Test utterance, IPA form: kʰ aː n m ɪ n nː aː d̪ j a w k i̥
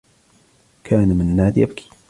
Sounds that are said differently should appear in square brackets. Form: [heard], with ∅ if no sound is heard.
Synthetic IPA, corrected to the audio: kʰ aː n m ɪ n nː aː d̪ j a [b] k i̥